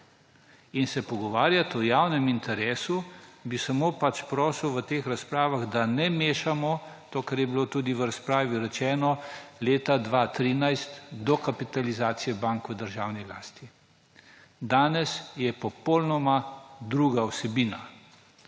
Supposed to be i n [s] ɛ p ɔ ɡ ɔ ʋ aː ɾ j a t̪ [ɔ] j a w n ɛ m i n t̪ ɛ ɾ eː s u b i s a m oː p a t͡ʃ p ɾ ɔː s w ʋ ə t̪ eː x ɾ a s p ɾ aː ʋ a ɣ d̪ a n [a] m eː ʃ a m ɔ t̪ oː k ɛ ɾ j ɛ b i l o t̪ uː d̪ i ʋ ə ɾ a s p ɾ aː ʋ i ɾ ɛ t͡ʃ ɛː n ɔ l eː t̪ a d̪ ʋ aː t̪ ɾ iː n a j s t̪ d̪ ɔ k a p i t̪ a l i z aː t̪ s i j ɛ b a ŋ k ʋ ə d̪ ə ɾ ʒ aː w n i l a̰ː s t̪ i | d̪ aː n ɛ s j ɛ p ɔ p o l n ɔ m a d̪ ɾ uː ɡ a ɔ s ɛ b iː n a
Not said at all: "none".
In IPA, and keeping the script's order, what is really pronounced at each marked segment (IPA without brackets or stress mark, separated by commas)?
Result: s, ɔ, ɛ